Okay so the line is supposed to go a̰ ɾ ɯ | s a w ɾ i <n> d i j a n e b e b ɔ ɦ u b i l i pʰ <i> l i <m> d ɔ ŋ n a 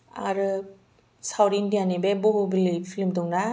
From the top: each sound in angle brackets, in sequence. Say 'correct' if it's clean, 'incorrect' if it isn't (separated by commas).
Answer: correct, correct, correct